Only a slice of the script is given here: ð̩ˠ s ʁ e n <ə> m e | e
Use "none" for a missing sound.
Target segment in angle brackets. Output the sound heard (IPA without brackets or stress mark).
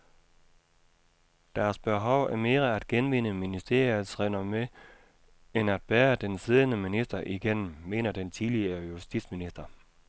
ɐ